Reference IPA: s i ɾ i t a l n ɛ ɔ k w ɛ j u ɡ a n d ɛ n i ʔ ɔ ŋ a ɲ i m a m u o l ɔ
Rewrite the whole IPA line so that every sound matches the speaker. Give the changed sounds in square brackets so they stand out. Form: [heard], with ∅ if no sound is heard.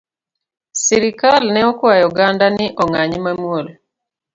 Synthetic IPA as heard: s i ɾ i [k] a l n ɛ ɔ k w [a] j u ɡ a n d [a] n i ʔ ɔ ŋ a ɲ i m a m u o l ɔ